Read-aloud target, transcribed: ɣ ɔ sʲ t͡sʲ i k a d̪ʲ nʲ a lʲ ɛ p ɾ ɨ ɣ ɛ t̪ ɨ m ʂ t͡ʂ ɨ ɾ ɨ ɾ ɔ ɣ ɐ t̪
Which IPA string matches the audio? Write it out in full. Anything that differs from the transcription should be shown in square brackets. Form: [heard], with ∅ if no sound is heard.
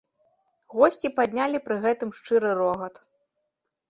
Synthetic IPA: ɣ ɔ sʲ t͡sʲ i [p] a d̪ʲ nʲ a lʲ [i] p ɾ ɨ ɣ ɛ t̪ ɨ m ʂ t͡ʂ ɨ ɾ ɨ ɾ ɔ ɣ ɐ t̪